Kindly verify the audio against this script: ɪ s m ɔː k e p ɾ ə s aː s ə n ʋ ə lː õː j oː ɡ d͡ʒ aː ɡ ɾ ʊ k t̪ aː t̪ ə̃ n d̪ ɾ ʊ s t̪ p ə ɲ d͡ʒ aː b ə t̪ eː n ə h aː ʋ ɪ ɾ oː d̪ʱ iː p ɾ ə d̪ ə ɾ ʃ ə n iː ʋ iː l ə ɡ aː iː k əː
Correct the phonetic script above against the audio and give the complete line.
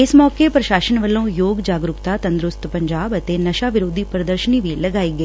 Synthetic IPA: ɪ s m ɔː k e p ɾ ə ʃ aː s ə n ʋ ə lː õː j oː ɡ d͡ʒ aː ɡ ɾ ʊ k t̪ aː t̪ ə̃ n d̪ ɾ ʊ s t̪ p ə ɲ d͡ʒ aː b ə t̪ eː n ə ʃ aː ʋ ɪ ɾ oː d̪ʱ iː p ɾ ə d̪ ə ɾ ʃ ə n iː ʋ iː l ə ɡ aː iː ɡ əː